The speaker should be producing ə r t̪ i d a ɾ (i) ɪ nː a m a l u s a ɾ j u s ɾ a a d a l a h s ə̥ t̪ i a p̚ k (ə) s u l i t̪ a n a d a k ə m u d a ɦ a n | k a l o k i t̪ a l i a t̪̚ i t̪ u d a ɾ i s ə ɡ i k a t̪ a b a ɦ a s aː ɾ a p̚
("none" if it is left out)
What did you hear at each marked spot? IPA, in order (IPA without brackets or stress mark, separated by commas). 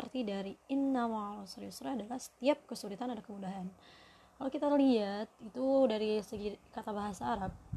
i, ə